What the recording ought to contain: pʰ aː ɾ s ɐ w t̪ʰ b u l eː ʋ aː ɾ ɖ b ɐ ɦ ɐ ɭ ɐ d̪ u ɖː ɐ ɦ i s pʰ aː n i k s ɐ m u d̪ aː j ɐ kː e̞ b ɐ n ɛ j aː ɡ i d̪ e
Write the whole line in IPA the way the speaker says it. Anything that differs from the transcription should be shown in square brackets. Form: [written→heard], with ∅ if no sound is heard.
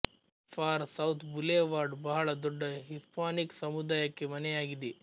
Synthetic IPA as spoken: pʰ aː ɾ s ɐ w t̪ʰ b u l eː ʋ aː ɾ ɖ b ɐ ɦ ɐ ɭ ɐ d̪ [u→ɔ] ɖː ɐ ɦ i s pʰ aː n i k s ɐ m u d̪ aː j ɐ kː e̞ [b→m] ɐ n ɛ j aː ɡ i d̪ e

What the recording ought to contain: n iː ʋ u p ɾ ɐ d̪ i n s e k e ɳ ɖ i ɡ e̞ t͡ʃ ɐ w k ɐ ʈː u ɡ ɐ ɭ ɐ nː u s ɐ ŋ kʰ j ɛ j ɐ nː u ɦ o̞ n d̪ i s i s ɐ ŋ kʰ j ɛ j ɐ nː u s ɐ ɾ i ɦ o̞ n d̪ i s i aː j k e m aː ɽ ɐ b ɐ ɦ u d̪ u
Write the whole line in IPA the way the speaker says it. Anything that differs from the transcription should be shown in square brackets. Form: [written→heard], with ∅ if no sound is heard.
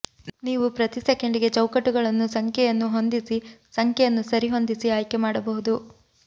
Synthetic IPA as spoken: n iː ʋ u p ɾ ɐ [d̪→t̪] i [n→∅] s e k e ɳ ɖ i ɡ e̞ t͡ʃ ɐ w k ɐ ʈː u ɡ ɐ ɭ ɐ nː u s ɐ ŋ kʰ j ɛ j ɐ nː u ɦ o̞ n d̪ i s i s ɐ ŋ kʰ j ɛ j ɐ nː u s ɐ ɾ i ɦ o̞ n d̪ i s i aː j k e m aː ɽ ɐ b ɐ ɦ u d̪ u

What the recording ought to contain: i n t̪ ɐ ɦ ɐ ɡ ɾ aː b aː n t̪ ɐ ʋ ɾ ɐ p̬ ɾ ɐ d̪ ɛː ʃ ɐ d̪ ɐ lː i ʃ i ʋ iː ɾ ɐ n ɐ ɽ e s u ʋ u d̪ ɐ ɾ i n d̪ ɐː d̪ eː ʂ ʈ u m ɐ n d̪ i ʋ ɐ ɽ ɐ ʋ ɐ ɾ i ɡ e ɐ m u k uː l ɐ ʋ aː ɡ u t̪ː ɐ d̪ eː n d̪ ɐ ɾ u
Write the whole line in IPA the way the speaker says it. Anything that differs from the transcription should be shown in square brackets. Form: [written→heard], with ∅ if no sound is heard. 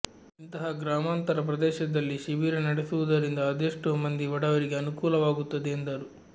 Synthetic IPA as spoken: i n t̪ ɐ ɦ ɐ ɡ ɾ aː [b→m] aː n t̪ ɐ [ʋ→∅] ɾ ɐ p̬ ɾ ɐ d̪ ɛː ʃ ɐ d̪ ɐ lː i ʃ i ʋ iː ɾ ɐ n ɐ ɽ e s u ʋ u d̪ ɐ ɾ i n d̪ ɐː d̪ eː ʂ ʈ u m ɐ n d̪ i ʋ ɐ ɽ ɐ ʋ ɐ ɾ i ɡ e ɐ [m→n] u k uː l ɐ ʋ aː ɡ u t̪ː ɐ d̪ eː n d̪ ɐ ɾ u

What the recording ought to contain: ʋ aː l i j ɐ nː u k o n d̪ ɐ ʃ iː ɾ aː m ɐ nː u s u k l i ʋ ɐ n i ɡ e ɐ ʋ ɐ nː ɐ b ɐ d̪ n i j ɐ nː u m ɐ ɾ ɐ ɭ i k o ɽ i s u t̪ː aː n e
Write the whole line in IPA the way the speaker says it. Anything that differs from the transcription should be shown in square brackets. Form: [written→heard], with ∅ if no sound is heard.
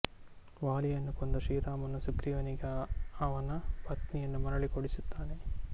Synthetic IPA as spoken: ʋ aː l i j ɐ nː u k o n d̪ ɐ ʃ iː ɾ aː m ɐ nː u s u k [l→ɾ] i ʋ ɐ n i ɡ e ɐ ʋ ɐ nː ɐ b ɐ [d̪→t̪] n i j ɐ nː u m ɐ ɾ ɐ ɭ i k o ɽ i s u t̪ː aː n e

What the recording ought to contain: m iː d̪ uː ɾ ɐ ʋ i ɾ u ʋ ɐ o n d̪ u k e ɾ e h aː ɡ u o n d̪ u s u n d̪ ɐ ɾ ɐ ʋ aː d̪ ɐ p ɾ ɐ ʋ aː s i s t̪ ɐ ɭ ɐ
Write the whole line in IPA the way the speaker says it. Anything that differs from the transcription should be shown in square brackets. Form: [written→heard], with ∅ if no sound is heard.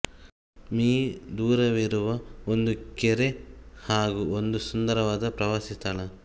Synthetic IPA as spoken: m iː d̪ uː ɾ ɐ ʋ i ɾ u ʋ ɐ o n d̪ u k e ɾ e h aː ɡ u o n d̪ u s u n d̪ ɐ ɾ ɐ ʋ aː d̪ ɐ p ɾ ɐ ʋ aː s i s t̪ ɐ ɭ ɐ

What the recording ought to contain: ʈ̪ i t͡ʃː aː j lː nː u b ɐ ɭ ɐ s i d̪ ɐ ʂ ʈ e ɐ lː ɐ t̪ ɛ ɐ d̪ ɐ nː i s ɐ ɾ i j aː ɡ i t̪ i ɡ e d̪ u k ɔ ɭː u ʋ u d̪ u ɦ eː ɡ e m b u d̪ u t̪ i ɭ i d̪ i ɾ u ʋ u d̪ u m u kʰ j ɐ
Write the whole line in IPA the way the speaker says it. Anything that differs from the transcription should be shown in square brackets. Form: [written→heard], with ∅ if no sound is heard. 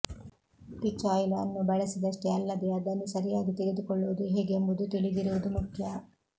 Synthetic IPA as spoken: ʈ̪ i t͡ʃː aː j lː nː u b ɐ ɭ ɐ s i d̪ ɐ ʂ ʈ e ɐ lː ɐ [t̪→d̪] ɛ ɐ d̪ ɐ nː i s ɐ ɾ i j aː ɡ i t̪ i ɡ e d̪ u k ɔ ɭː u ʋ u d̪ u ɦ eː ɡ e m b u d̪ u t̪ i ɭ i d̪ i ɾ u ʋ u d̪ u m u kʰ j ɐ

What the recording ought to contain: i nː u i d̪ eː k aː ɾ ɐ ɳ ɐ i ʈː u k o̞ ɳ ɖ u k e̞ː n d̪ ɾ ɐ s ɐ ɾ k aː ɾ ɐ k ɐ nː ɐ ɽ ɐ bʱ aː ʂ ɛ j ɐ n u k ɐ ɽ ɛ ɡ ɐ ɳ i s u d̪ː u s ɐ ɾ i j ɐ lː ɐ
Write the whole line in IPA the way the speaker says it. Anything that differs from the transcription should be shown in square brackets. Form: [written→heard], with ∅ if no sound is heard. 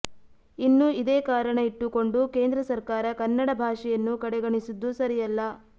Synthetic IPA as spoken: i nː u i d̪ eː k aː ɾ ɐ ɳ ɐ i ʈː u k o̞ ɳ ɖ u k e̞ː n d̪ ɾ ɐ s ɐ ɾ k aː ɾ ɐ k ɐ nː ɐ ɽ ɐ bʱ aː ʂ ɛ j ɐ [n→nː] u k ɐ ɽ ɛ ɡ ɐ ɳ i s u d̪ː u s ɐ ɾ i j ɐ lː ɐ

